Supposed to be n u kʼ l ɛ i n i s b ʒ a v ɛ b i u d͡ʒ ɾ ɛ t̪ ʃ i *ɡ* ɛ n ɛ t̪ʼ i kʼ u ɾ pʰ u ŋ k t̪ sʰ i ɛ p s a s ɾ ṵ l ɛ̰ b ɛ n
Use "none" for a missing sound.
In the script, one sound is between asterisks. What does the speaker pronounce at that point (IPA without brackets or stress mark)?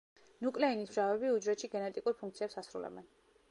ɡ